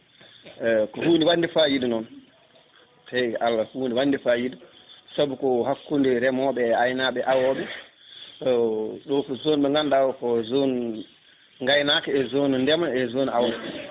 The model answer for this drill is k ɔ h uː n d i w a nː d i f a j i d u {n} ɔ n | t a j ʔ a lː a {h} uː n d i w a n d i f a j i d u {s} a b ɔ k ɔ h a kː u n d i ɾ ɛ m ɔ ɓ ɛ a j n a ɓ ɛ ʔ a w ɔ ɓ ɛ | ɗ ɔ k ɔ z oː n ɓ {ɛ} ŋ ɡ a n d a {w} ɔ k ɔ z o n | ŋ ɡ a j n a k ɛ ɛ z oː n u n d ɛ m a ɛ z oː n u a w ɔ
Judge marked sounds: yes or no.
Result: yes, yes, yes, yes, yes

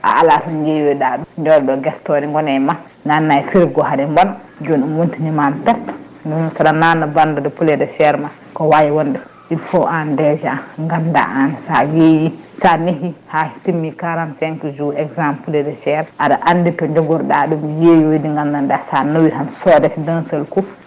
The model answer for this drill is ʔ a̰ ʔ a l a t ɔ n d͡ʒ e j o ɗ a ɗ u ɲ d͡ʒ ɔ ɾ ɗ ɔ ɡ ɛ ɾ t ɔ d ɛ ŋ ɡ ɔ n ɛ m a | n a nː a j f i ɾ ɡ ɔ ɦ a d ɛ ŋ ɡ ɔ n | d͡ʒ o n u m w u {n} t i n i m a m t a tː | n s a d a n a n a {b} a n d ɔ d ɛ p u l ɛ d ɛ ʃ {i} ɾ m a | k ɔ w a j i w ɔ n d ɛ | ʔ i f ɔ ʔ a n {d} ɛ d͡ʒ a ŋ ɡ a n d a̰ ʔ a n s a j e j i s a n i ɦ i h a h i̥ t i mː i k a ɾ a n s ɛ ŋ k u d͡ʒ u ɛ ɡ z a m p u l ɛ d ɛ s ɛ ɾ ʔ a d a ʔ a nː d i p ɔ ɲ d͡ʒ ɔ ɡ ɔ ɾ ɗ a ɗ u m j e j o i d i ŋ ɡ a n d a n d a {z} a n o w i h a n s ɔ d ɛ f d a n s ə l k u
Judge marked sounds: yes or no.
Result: yes, yes, no, yes, no

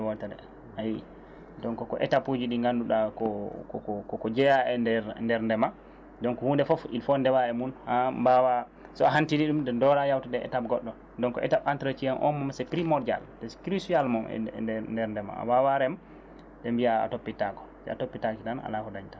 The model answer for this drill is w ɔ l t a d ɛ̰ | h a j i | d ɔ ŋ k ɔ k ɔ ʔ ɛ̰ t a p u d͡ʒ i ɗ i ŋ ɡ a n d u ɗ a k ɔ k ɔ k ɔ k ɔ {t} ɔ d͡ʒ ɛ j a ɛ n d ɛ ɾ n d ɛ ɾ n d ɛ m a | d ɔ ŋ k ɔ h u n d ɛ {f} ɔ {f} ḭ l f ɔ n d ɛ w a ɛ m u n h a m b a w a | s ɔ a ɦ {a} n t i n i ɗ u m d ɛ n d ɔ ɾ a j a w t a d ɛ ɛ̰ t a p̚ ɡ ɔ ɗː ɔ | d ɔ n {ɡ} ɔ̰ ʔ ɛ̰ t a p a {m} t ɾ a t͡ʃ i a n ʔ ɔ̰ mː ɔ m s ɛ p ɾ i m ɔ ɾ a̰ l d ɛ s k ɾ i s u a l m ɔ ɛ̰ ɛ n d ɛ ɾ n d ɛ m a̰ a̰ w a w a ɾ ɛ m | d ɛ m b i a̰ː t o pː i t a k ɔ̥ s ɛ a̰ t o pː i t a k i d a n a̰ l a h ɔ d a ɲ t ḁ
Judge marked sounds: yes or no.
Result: no, yes, yes, yes, no, no

